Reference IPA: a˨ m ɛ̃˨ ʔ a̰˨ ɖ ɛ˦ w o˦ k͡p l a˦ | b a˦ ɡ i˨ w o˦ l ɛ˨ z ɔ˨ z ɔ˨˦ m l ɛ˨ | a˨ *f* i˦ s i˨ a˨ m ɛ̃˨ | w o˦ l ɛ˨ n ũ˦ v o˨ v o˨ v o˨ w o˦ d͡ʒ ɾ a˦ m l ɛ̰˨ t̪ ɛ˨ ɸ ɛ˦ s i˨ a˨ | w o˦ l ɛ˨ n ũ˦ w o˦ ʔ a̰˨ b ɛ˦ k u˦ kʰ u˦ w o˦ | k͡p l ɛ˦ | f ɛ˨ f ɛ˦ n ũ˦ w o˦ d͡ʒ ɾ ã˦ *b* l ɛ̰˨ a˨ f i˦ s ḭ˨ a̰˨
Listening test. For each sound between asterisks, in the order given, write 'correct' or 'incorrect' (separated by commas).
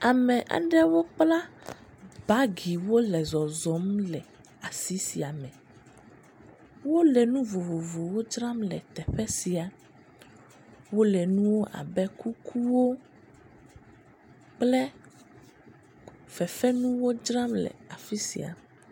incorrect, incorrect